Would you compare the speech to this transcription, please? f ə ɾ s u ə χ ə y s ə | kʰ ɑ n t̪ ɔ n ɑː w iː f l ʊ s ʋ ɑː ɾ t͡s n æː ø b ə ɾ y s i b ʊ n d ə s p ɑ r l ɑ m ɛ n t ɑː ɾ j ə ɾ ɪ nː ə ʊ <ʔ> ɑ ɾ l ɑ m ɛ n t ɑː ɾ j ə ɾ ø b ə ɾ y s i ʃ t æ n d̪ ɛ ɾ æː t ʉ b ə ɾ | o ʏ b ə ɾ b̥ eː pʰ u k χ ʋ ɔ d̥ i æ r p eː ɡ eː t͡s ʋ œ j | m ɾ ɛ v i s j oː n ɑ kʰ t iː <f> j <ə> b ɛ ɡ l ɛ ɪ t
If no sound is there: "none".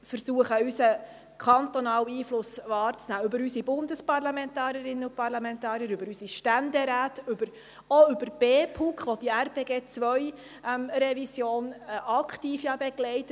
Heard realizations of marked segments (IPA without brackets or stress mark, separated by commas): p, f, ɑ